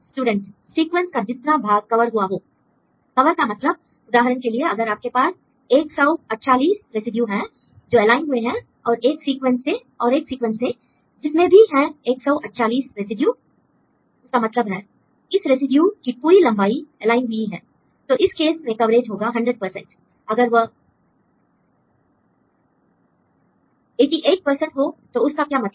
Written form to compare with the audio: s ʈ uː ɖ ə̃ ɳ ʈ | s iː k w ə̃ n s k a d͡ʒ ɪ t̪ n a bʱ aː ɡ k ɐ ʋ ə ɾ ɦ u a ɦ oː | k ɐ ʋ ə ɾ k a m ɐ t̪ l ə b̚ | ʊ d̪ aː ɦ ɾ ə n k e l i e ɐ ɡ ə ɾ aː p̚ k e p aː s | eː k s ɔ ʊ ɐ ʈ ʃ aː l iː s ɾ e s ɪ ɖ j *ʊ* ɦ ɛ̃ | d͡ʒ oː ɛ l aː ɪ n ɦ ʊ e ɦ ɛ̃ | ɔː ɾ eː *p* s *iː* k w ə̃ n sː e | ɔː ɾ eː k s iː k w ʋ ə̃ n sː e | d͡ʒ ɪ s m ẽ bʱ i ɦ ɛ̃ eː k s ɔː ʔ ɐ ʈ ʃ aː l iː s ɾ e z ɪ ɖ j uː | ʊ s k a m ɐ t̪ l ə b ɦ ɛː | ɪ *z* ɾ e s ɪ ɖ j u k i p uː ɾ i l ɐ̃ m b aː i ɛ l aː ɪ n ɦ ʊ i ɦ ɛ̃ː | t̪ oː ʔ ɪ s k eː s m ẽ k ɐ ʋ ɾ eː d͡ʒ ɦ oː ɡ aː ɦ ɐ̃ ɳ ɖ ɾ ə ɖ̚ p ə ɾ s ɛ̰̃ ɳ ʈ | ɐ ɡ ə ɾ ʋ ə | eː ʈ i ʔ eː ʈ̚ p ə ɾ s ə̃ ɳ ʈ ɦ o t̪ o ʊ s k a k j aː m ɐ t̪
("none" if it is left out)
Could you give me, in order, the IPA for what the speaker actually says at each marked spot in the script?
u, k, iː, s

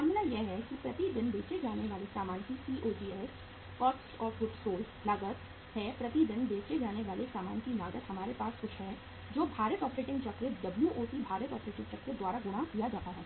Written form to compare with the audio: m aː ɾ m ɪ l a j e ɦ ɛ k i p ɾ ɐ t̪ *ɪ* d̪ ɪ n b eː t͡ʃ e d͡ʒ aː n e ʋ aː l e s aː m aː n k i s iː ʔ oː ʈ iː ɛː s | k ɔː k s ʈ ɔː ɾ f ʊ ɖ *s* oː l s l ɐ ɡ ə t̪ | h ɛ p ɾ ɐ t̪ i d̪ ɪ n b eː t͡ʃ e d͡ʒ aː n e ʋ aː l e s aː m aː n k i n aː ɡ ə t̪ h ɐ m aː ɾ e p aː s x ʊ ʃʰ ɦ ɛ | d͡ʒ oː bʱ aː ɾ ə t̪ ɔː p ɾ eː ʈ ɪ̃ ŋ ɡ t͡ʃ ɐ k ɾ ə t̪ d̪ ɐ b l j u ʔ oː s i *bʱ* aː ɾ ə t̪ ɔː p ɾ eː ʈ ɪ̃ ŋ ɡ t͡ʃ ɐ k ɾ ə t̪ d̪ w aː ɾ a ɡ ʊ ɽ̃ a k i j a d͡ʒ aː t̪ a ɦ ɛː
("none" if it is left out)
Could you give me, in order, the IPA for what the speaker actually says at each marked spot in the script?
i, s, bʱ

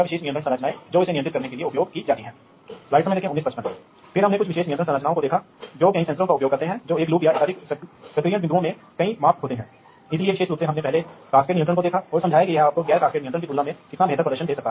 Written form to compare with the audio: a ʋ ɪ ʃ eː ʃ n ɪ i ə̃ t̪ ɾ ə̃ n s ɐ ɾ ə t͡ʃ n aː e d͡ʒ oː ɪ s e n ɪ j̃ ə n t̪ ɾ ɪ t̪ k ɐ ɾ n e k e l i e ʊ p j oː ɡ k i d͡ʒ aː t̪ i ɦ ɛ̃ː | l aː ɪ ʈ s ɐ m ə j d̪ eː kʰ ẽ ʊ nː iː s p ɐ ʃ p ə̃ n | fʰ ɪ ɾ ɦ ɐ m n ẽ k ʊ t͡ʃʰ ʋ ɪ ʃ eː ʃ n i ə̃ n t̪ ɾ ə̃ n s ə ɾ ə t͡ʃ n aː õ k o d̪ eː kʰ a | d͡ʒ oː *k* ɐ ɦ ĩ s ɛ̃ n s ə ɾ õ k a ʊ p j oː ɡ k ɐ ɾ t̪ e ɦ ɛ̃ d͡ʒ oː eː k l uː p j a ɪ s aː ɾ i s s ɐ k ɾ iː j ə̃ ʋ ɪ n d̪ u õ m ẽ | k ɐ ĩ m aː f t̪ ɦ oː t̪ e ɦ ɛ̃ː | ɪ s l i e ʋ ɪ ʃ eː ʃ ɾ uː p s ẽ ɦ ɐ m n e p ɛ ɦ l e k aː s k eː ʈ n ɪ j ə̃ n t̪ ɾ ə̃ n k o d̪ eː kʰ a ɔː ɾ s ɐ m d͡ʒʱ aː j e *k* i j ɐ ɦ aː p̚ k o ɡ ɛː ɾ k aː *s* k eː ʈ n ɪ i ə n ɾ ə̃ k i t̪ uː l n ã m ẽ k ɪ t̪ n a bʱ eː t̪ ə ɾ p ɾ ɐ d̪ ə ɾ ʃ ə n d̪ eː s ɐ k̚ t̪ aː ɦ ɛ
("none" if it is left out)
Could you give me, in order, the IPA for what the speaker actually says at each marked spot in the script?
k, k, s

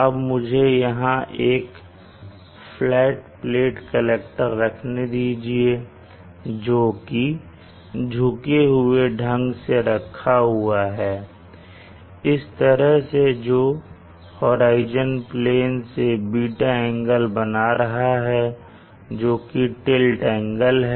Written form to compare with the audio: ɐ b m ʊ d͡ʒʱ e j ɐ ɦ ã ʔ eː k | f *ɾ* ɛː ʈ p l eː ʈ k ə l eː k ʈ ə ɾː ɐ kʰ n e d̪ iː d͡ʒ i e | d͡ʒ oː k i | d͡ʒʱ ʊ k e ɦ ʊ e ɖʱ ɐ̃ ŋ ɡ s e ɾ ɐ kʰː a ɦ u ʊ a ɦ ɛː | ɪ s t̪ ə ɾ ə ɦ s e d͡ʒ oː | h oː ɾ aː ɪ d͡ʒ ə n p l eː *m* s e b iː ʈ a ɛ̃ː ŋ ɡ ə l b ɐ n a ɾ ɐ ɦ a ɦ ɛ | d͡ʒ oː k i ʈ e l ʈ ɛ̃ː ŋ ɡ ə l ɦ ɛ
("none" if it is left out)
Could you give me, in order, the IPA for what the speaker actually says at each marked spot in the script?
l, n

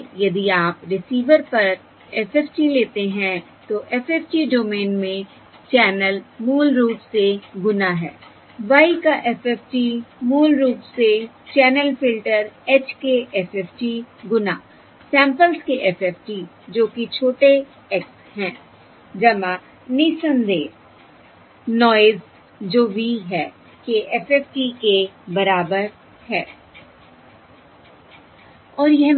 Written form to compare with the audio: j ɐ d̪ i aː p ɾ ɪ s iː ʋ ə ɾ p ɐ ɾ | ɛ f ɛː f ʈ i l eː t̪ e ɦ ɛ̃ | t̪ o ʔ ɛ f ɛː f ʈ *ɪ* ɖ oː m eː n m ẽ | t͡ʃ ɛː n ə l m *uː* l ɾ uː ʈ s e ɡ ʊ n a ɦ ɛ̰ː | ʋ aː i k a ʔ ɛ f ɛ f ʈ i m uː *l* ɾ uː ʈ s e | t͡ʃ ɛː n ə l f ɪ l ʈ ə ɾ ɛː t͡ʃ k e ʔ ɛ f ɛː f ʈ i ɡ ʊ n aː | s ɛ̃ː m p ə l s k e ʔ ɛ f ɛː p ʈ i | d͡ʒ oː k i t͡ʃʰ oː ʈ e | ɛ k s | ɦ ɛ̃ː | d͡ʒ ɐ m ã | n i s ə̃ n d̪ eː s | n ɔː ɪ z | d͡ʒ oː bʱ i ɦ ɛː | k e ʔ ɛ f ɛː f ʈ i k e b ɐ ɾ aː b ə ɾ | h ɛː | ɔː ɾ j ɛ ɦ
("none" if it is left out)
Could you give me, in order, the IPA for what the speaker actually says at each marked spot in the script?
i, uː, l

